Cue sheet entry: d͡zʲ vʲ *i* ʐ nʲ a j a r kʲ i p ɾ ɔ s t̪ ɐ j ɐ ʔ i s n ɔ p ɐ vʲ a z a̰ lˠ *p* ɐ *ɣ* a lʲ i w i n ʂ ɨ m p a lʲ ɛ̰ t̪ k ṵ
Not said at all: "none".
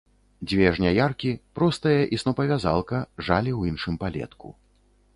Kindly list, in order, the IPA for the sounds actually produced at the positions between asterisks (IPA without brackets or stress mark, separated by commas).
ɛ, k, ʐ